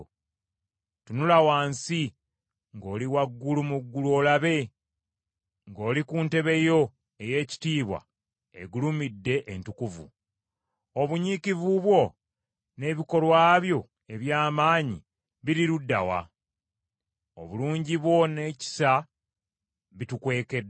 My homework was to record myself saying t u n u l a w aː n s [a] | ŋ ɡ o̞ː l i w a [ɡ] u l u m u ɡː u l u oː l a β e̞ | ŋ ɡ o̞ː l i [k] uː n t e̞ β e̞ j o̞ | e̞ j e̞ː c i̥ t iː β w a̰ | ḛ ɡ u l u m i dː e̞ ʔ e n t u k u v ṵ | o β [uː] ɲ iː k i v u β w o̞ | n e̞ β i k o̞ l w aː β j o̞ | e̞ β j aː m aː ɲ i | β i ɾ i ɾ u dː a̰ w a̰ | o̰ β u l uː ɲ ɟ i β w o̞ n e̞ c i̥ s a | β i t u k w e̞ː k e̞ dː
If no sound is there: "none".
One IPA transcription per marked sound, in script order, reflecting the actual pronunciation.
i, ɡː, k, u

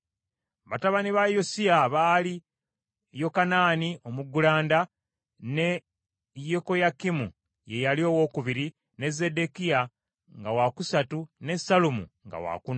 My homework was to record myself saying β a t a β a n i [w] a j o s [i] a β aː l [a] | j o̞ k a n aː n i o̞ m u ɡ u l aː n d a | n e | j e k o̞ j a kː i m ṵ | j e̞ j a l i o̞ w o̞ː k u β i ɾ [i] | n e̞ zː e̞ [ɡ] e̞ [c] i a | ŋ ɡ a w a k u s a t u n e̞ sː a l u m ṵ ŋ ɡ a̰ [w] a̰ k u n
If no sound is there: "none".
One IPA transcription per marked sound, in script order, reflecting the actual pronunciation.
β, i, i, i, d, k, w

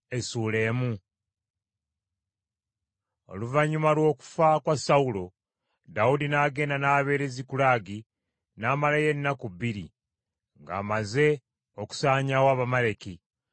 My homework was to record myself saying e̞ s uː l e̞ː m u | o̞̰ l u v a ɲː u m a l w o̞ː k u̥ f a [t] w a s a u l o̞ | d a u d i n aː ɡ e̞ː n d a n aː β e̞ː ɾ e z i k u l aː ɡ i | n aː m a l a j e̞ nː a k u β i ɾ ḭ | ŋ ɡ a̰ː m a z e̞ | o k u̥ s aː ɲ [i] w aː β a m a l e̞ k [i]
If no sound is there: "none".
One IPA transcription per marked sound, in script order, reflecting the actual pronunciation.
k, a, i

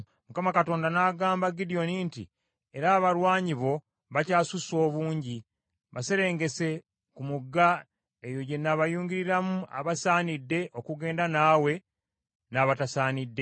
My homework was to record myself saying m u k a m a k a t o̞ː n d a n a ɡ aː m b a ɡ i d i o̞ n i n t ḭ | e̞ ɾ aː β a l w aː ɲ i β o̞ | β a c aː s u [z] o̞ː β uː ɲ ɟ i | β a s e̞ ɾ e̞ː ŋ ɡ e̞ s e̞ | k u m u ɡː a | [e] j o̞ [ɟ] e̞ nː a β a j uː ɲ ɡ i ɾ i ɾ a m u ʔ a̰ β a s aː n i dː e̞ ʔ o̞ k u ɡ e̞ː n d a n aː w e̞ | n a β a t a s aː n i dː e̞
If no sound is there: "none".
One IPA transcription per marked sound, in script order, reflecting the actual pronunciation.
s, e, ɟ

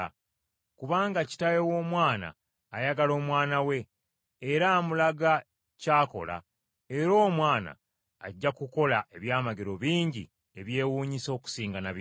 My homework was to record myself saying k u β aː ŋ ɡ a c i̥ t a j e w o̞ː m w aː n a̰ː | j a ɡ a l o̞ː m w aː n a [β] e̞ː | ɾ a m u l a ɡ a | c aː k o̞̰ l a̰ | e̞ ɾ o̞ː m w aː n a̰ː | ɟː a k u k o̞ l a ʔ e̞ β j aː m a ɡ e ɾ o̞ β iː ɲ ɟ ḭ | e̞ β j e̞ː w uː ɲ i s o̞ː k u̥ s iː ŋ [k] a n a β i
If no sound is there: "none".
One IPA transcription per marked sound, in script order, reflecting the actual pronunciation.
w, ɡ

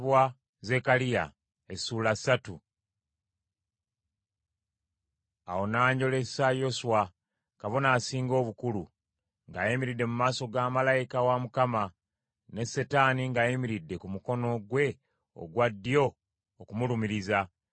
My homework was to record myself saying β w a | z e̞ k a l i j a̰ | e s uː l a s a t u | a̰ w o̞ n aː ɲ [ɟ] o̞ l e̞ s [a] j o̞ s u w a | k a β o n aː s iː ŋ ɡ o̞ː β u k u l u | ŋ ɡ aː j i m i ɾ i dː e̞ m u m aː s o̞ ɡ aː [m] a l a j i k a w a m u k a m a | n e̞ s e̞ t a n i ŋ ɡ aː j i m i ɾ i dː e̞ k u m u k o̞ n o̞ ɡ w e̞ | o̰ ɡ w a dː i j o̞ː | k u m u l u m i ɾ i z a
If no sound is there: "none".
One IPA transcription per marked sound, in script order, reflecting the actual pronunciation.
ɟ, a, m

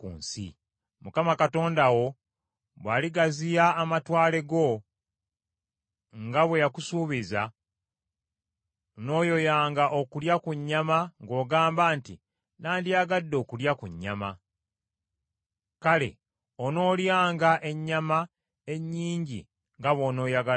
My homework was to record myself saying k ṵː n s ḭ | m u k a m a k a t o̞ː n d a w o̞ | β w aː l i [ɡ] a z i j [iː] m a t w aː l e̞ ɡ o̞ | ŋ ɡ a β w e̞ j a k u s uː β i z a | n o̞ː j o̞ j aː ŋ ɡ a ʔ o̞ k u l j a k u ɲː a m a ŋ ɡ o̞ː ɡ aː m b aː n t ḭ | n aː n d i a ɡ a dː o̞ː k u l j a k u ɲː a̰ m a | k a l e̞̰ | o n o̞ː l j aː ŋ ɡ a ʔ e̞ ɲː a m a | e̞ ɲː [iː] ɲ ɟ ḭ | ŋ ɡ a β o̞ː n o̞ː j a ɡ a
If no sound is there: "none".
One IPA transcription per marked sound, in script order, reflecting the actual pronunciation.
ɡ, aː, iː

